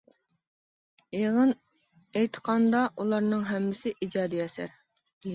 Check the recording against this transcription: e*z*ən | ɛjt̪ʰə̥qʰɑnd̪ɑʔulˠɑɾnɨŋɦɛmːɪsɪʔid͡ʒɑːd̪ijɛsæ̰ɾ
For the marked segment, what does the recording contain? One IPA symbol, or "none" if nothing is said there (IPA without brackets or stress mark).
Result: ʁ